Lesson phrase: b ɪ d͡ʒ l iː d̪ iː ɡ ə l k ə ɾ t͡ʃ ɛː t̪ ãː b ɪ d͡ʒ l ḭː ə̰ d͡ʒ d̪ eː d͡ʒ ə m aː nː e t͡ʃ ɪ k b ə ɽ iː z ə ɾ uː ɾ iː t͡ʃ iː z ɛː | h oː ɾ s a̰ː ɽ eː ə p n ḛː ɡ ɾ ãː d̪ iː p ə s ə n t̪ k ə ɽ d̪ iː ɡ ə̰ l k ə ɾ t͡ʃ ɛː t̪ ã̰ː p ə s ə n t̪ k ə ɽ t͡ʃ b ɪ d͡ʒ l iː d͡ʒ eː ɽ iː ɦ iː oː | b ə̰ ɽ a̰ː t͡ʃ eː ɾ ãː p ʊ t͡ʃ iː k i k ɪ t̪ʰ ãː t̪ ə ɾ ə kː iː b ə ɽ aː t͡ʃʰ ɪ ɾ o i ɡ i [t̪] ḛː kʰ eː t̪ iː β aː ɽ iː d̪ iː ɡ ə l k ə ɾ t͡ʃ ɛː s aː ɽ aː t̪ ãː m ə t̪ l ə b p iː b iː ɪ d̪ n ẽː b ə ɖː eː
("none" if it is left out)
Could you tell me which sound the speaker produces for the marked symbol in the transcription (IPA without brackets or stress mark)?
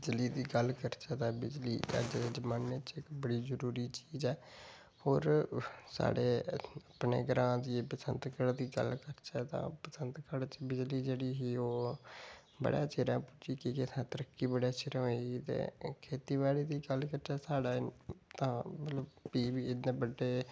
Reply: t̪